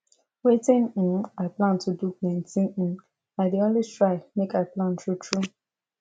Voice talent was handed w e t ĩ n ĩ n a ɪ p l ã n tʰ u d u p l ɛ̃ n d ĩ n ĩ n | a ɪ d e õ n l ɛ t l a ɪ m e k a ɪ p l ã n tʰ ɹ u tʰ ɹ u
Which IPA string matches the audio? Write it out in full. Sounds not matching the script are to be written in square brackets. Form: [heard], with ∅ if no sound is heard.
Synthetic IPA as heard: w e t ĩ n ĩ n a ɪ p l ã n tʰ u d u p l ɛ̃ n [t] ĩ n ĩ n | a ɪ d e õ n l [i] t [ɹ] a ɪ m e k a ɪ p l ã n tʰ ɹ u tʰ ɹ u